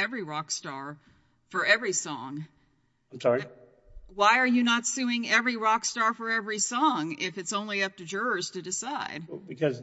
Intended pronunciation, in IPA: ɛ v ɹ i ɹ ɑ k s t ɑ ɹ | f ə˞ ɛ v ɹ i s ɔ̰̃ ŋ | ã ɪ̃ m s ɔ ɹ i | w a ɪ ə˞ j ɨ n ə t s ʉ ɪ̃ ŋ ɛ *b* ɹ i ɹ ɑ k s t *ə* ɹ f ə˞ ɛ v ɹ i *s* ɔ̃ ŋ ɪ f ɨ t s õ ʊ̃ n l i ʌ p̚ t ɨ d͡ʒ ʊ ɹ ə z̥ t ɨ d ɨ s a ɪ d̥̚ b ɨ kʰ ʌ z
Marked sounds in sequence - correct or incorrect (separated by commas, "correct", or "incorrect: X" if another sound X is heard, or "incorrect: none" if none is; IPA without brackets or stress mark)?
incorrect: v, incorrect: ɑ, correct